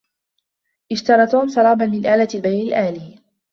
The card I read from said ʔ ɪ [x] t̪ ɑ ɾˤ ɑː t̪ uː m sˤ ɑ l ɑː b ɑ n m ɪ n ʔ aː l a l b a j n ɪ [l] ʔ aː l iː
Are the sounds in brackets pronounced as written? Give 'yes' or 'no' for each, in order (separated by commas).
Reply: no, yes